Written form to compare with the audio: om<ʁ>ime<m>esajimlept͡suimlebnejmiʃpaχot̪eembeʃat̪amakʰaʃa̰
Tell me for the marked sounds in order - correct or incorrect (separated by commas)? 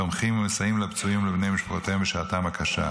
incorrect, correct